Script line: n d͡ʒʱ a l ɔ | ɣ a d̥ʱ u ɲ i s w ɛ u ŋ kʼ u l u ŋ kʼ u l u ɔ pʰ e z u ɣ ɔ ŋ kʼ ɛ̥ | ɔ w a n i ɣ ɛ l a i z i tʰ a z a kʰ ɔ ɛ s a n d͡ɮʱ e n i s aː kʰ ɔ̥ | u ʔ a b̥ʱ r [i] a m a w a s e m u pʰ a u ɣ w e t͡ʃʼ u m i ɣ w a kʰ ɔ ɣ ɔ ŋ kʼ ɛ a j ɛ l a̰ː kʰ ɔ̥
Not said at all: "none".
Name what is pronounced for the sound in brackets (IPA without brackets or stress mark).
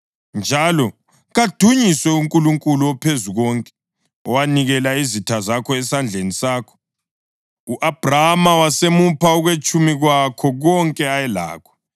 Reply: a